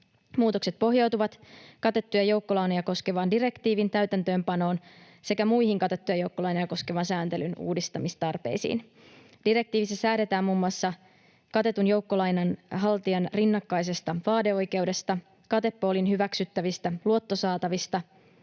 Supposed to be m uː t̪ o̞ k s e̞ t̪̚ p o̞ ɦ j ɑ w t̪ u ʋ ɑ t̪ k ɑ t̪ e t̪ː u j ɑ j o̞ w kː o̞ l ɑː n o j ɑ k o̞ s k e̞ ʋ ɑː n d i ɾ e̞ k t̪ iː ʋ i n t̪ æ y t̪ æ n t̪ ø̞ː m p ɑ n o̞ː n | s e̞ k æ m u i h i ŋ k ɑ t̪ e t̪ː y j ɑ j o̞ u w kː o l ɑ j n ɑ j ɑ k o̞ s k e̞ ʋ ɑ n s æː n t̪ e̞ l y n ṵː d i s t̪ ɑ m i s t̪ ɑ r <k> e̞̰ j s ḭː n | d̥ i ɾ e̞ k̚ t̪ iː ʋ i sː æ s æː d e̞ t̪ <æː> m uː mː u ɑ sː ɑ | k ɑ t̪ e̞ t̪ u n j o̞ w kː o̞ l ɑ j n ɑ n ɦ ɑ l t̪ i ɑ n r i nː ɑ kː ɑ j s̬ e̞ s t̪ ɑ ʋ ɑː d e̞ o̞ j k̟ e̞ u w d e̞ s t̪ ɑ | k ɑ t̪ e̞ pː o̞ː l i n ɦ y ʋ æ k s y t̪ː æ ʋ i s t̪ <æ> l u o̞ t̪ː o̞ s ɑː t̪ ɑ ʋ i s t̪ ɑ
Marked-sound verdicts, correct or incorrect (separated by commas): incorrect, correct, correct